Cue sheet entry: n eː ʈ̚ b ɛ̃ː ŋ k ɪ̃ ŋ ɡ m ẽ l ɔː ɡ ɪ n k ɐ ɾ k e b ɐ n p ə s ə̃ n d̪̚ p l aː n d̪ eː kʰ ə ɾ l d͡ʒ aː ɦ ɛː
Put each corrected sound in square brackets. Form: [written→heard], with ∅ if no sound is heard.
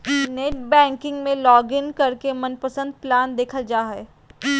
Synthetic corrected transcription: n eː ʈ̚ b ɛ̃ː ŋ k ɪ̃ ŋ ɡ m ẽ l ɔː ɡ ɪ n k ɐ ɾ k e [b→m] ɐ n p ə s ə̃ n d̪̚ p l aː n d̪ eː kʰ ə [ɾ→∅] l d͡ʒ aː ɦ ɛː